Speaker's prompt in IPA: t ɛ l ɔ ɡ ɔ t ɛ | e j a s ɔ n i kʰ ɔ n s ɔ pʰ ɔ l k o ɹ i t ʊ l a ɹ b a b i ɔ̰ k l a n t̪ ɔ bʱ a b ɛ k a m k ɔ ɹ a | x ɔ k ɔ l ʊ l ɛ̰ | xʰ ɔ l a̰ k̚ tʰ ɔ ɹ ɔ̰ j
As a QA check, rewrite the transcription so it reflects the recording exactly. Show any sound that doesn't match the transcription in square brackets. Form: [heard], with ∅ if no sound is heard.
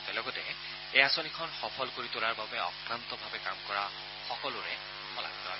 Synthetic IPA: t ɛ l ɔ ɡ ɔ t ɛ | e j a s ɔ n i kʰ ɔ n [x] ɔ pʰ ɔ l k o ɹ i t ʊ l a ɹ b a b [ɛ] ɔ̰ k [ɹ] a n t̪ ɔ bʱ a b ɛ k a m k ɔ ɹ a | x ɔ k ɔ l ʊ [ɹ] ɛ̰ | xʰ ɔ l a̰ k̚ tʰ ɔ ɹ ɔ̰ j